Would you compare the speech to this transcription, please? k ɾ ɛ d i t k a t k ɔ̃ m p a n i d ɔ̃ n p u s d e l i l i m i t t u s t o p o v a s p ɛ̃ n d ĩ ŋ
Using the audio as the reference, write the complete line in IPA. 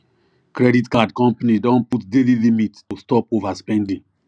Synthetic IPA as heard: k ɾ ɛ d i t k a d k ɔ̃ m p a n i d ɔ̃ n p u t d e l i l i m i t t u s t ɔ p o v a s p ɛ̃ n d ĩ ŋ